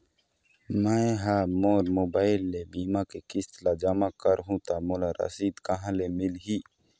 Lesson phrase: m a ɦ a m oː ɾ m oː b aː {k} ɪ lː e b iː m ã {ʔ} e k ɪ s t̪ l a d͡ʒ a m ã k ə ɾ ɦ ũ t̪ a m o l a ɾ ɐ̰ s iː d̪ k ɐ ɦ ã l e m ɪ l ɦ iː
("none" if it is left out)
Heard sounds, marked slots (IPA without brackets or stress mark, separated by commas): none, k